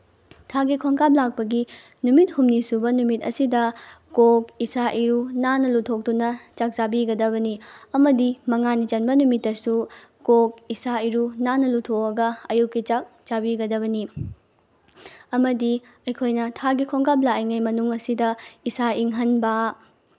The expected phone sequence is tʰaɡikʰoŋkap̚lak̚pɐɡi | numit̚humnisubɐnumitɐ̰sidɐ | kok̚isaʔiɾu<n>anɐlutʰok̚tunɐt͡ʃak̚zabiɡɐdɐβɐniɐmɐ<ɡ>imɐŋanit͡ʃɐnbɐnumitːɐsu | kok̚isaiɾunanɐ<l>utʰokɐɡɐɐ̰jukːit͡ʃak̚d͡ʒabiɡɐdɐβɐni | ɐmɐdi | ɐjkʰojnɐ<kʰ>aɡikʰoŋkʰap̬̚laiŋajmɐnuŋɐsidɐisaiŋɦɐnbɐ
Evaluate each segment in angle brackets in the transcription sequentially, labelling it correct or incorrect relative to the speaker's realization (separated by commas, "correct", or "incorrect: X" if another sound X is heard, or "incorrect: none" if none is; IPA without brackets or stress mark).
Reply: correct, incorrect: d, correct, incorrect: tʰ